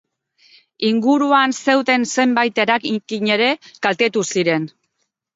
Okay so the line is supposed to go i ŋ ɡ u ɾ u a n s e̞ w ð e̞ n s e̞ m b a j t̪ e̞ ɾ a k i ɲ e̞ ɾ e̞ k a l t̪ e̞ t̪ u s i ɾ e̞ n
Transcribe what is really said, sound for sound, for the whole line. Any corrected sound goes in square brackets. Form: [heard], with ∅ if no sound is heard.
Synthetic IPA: i ŋ ɡ u ɾ u a n s e̞ w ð e̞ n s e̞ m b a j t̪ e̞ ɾ a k i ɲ e̞ ɾ e̞ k a l t̪ e̞ t̪ u s i ɾ e̞ n